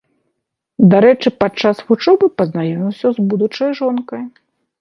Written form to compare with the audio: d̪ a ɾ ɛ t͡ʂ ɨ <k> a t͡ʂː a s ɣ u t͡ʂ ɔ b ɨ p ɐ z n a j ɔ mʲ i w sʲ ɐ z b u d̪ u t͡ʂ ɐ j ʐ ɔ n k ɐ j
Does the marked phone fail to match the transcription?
yes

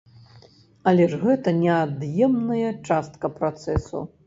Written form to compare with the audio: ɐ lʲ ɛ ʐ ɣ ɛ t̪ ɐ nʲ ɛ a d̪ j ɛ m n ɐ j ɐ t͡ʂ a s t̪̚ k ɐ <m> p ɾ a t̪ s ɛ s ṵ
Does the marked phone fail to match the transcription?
yes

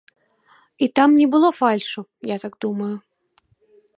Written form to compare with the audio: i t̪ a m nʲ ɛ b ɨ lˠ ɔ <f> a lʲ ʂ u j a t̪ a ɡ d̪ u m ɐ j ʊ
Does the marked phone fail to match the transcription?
no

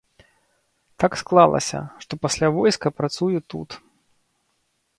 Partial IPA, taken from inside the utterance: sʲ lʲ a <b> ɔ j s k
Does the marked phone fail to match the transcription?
yes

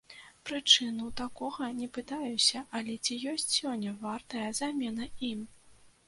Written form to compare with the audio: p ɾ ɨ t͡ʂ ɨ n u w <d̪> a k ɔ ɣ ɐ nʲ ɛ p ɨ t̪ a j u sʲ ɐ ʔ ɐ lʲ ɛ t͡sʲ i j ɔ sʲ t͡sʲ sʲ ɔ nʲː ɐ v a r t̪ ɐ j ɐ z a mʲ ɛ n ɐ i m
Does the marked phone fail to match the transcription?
yes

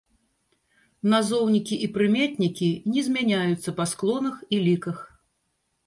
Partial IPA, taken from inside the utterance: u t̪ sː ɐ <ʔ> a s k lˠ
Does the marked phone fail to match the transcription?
yes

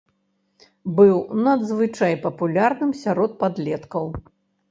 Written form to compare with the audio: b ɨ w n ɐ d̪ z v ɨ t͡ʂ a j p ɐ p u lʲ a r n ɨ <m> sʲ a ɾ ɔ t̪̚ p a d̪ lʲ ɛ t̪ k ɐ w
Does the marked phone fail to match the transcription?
no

